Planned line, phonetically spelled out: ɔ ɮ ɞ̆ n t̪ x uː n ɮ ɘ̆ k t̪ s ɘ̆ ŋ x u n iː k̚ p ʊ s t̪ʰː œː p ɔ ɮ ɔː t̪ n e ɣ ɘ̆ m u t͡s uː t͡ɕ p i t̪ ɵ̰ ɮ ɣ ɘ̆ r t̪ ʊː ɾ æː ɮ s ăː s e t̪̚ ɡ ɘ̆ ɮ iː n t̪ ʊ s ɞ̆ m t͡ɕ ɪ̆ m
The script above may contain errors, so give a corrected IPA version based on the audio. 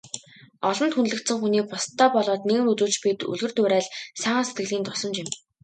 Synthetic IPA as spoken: ɔ ɮ ɞ̆ n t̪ x u n ɮ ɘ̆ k t̪ s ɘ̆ ŋ x u n iː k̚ p ʊ s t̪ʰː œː p ɔ ɮ ɔː t̪ n e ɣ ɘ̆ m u t͡s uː t͡ɕ p i t̪ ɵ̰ ɮ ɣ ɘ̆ r t̪ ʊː ɾ æː ɮ s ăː s e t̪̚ ɡ ɘ̆ ɮ iː n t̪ ʊ s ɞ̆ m t͡ɕ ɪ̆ m